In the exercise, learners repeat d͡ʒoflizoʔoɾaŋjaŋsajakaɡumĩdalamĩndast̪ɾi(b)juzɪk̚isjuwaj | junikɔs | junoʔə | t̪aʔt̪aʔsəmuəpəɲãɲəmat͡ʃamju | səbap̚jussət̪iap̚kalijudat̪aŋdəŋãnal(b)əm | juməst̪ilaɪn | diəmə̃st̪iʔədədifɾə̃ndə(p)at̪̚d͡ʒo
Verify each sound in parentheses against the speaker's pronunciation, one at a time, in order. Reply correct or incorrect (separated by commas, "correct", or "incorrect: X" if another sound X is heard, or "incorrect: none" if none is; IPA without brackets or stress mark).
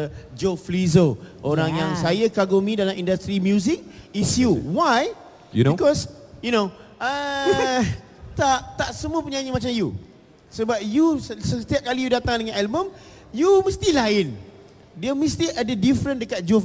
incorrect: m, correct, incorrect: k